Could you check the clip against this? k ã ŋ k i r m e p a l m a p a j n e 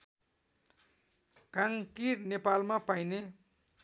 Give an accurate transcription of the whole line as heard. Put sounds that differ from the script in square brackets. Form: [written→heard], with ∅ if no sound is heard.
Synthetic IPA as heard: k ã ŋ k i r [m→n] e p a l m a p a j n e